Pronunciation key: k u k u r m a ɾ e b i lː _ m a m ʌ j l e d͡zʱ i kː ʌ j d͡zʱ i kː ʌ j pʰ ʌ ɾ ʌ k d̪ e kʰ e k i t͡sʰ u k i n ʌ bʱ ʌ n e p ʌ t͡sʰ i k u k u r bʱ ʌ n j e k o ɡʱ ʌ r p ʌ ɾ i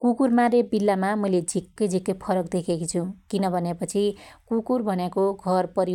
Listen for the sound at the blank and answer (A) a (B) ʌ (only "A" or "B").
A